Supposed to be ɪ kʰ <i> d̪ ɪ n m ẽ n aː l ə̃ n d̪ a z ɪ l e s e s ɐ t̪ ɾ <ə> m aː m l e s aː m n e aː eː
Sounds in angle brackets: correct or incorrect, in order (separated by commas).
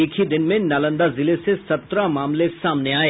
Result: correct, incorrect